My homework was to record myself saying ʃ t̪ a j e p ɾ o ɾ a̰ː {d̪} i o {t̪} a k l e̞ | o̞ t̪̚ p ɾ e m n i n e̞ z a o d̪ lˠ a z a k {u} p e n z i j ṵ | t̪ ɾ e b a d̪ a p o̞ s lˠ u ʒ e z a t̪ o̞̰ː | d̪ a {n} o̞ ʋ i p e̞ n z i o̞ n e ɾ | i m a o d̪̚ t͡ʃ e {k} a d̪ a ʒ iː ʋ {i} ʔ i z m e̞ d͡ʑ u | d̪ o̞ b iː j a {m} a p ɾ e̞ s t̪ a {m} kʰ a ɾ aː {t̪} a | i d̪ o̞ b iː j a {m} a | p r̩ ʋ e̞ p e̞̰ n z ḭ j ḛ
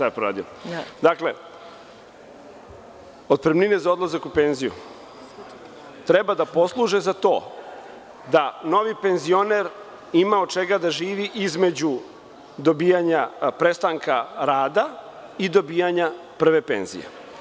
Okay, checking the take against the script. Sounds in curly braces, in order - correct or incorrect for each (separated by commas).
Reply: correct, incorrect, correct, correct, incorrect, correct, incorrect, incorrect, incorrect, incorrect